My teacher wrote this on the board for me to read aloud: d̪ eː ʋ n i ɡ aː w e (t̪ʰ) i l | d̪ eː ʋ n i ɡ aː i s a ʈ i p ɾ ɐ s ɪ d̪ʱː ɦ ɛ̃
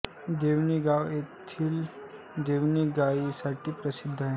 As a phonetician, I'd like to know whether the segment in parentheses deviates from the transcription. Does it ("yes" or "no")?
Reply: no